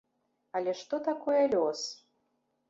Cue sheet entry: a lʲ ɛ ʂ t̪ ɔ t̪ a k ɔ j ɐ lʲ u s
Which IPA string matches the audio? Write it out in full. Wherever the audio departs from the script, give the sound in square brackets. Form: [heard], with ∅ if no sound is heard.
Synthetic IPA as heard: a lʲ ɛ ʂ t̪ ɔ t̪ a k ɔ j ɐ lʲ [ɔ] s